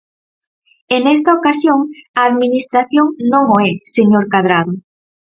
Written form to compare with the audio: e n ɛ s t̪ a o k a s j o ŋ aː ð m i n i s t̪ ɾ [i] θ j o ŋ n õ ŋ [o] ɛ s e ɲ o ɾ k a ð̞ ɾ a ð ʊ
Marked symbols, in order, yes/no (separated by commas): no, yes